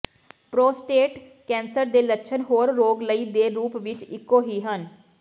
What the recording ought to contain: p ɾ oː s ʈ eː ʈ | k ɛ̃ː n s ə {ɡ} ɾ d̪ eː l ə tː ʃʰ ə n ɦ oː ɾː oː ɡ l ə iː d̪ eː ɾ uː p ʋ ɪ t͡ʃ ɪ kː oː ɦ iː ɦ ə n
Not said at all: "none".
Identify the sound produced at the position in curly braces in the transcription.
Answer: none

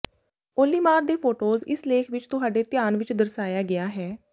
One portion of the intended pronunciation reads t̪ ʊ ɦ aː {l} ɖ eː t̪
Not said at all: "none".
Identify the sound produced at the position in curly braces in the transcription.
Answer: none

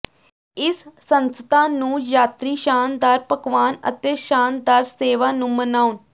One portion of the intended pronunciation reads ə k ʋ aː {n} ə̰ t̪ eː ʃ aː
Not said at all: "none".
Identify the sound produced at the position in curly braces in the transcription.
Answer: n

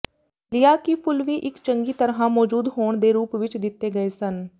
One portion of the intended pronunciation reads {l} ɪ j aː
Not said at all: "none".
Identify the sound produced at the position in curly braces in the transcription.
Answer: l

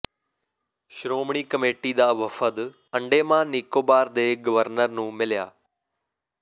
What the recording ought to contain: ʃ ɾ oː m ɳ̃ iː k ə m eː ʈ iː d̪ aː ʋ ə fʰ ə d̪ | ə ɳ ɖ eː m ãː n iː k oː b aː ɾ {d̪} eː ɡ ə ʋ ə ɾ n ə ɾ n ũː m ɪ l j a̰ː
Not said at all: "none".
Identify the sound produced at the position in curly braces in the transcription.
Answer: d̪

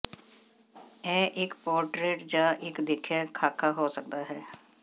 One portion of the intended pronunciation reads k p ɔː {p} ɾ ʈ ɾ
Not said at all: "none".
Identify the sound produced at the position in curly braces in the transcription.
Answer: none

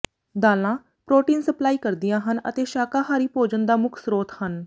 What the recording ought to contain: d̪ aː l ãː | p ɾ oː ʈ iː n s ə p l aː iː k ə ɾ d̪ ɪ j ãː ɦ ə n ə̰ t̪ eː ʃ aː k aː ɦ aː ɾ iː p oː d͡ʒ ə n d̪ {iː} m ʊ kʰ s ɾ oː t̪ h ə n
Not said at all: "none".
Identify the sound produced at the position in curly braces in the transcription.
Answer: aː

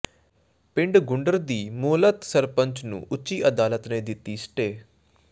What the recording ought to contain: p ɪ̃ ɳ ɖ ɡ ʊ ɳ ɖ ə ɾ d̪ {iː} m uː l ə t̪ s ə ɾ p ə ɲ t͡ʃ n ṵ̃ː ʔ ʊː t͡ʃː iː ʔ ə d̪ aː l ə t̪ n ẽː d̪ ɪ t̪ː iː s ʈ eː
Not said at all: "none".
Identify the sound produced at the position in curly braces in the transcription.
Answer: iː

